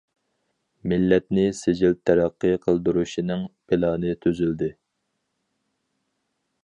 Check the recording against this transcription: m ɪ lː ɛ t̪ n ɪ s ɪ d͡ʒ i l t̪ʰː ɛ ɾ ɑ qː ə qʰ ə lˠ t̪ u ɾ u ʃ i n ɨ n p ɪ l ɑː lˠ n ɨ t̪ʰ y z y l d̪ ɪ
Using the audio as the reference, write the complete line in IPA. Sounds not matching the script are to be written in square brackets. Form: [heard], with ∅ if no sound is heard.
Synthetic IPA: m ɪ lː ɛ t̪ n ɪ s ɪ d͡ʒ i l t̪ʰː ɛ ɾ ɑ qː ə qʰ ə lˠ [d̪] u ɾ u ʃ i n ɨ [ŋ] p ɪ l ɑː [∅] n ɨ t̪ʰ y z y l d̪ ɪ